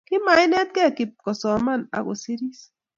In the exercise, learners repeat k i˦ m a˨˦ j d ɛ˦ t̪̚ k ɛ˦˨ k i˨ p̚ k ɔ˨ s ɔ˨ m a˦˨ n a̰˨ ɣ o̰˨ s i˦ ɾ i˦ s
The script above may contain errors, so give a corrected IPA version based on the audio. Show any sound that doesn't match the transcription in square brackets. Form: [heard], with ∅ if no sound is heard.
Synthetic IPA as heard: k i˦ m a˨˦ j [n] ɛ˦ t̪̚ k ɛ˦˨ k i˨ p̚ k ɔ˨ s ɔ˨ m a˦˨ n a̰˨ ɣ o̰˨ s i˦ ɾ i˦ s